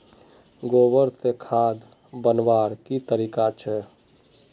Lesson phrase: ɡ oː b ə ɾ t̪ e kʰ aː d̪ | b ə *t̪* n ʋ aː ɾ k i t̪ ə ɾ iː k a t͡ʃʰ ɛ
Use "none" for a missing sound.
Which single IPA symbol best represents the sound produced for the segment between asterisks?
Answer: none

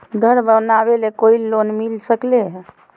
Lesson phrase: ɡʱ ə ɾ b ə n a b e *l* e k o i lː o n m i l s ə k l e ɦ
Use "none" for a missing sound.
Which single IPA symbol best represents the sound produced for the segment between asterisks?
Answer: l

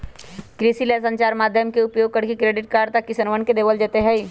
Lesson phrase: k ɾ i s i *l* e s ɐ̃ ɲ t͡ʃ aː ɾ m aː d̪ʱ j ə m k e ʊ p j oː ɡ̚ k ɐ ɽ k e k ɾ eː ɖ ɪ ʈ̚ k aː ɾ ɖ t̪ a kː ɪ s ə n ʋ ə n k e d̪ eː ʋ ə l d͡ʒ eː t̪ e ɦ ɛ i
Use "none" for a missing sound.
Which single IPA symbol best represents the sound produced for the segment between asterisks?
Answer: l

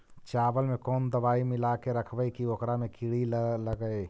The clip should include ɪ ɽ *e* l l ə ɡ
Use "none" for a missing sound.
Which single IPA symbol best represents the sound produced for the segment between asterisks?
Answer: i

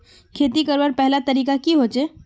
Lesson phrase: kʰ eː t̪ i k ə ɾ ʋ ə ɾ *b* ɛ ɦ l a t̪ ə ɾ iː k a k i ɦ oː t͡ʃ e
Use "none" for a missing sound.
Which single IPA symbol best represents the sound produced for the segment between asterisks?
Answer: p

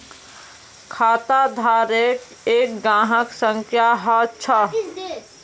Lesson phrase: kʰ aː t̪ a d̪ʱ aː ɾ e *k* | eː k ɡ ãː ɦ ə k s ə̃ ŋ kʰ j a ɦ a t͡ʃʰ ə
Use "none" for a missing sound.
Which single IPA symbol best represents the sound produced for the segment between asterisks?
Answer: k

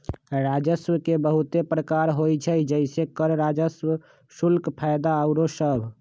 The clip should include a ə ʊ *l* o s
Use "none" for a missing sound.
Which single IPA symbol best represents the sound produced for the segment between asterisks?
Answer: ɾ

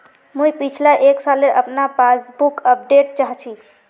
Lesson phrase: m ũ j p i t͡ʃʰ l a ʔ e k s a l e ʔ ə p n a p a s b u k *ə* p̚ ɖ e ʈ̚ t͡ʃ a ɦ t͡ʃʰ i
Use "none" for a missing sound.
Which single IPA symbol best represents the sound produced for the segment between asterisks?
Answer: ə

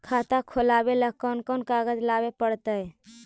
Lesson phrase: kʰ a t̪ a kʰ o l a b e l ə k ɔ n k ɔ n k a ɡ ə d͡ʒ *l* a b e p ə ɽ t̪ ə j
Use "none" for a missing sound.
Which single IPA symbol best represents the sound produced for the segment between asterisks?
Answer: l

